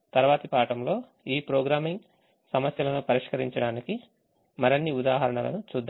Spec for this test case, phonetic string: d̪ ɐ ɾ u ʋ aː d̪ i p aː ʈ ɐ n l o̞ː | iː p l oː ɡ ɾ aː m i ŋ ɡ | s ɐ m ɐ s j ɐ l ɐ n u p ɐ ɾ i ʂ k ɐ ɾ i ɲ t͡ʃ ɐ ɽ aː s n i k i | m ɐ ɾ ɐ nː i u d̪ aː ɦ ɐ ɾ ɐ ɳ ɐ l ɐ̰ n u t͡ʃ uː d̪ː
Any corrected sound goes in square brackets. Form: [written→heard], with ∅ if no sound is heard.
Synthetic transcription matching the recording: [d̪→t̪] ɐ ɾ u ʋ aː [d̪→t̪] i p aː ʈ ɐ [n→m] l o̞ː | iː p [l→ɾ] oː ɡ ɾ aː m i ŋ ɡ | s ɐ m ɐ s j ɐ l ɐ n u p ɐ ɾ i ʂ k ɐ ɾ i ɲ t͡ʃ ɐ ɽ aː [s→∅] n i k i | m ɐ ɾ ɐ nː i u d̪ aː ɦ ɐ ɾ ɐ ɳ ɐ l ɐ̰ n u t͡ʃ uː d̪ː